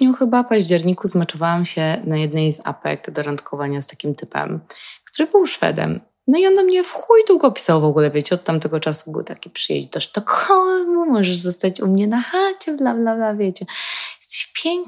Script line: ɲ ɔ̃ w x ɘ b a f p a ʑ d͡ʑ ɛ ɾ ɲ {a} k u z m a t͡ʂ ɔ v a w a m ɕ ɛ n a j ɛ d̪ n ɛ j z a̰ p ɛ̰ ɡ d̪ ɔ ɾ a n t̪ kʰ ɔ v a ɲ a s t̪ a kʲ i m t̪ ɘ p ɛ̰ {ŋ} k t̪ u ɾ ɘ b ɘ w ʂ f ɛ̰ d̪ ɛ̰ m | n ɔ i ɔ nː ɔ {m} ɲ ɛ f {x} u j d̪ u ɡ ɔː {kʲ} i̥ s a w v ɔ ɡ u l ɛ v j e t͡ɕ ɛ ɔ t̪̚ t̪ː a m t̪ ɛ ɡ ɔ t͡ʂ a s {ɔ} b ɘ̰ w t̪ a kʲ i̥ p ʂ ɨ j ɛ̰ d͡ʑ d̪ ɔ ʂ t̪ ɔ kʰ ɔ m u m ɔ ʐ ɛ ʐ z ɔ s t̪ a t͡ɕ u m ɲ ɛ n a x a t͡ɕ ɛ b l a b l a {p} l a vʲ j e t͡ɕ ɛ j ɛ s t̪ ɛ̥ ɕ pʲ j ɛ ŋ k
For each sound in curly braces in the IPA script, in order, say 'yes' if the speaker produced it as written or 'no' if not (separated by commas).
no, no, yes, yes, no, no, no